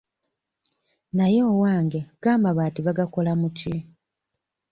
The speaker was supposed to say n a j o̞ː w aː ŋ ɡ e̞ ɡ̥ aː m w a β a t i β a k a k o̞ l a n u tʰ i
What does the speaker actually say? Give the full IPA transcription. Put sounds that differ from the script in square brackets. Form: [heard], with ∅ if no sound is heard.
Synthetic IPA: n a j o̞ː w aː ŋ ɡ e̞ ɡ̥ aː m [b] a β a t i β a [ɡ] a k o̞ l a [m] u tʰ i

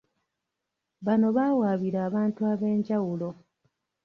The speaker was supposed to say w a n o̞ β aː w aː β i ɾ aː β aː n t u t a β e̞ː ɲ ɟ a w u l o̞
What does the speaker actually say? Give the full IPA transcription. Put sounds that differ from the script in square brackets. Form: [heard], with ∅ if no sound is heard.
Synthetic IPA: [β] a n o̞ β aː w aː β i ɾ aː β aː n t u [∅] a β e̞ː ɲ ɟ a w u l o̞

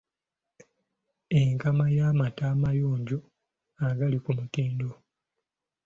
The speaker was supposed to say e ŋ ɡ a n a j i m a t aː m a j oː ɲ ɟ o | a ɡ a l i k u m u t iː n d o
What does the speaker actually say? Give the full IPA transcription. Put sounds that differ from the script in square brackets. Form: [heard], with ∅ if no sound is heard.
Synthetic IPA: e ŋ [k] a [m] a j [a] m a t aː m a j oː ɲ ɟ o | a ɡ a l i k u m u t iː n d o

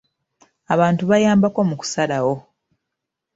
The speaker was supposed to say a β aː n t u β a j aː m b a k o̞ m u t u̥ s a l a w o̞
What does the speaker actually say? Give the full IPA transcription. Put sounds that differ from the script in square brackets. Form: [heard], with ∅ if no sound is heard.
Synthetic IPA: a β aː n t u β a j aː m b a k o̞ m u [k] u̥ s a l a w o̞

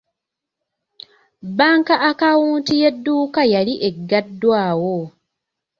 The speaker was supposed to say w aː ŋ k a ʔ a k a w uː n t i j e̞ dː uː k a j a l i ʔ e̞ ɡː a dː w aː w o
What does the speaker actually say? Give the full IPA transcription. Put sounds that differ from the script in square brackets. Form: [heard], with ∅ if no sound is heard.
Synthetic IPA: [b] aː ŋ k a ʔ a k a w uː n t i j e̞ dː uː k a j a l i ʔ e̞ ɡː a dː w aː w o

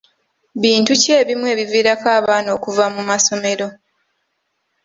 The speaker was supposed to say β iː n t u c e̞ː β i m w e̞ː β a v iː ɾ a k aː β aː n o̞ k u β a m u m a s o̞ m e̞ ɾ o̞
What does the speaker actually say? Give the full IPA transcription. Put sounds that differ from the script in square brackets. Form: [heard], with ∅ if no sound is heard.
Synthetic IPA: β iː n t u c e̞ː β i m w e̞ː β [i] v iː ɾ a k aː β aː n o̞ k u [v] a m u m a s o̞ m e̞ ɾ o̞

